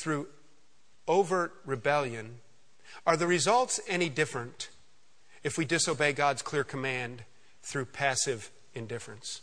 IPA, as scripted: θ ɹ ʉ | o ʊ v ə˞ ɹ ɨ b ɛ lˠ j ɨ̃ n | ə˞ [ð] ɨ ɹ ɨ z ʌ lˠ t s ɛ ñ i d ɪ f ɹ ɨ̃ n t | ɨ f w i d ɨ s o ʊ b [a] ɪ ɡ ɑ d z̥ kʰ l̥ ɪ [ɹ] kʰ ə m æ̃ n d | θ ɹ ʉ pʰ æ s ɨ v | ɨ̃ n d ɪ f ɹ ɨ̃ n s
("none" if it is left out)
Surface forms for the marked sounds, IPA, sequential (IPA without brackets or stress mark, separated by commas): ð, e, ɹ